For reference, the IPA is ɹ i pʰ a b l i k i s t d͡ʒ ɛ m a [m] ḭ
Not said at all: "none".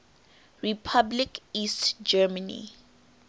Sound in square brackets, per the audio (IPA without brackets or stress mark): n